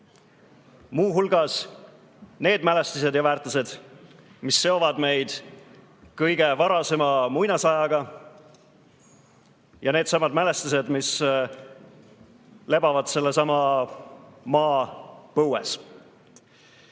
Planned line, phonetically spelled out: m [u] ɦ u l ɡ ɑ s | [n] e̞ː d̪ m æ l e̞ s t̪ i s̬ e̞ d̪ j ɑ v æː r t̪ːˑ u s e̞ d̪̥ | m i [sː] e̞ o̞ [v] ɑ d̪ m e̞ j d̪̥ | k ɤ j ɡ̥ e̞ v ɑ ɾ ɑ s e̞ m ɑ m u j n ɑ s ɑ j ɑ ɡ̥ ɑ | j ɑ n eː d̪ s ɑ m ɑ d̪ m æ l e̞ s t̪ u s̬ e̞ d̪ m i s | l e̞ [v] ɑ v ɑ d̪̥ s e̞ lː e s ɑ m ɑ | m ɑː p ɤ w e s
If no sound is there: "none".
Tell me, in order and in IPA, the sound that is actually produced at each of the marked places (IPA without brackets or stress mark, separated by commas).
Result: uː, n, sː, v, b